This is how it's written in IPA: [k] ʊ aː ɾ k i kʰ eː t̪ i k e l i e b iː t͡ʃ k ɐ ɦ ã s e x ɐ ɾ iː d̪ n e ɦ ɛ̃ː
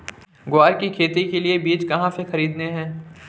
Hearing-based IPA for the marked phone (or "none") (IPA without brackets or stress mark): ɡ